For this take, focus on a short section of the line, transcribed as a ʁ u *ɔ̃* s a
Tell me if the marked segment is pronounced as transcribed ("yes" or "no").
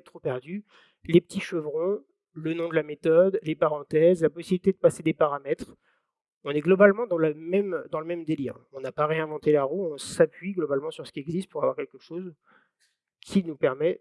yes